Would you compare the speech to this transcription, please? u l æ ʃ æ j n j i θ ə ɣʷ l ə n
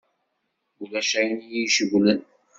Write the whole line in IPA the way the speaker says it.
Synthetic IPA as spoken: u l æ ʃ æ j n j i ʃ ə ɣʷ l ə n